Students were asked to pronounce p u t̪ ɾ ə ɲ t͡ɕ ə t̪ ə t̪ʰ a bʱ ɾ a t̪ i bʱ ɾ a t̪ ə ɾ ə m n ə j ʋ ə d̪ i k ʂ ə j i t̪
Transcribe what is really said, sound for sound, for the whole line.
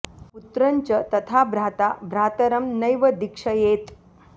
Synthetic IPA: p u t̪ ɾ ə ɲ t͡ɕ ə t̪ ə t̪ʰ a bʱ ɾ a t̪ a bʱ ɾ a t̪ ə ɾ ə m n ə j ʋ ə d̪ i k ʂ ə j e t̪